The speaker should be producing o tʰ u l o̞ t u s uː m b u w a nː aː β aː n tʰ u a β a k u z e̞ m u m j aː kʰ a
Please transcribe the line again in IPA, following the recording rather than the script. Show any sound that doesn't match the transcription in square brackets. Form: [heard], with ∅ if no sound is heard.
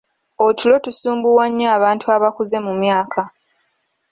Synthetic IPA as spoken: o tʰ u l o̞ t u s uː m b u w a [ɲː] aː β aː n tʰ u a β a k u z e̞ m u m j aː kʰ a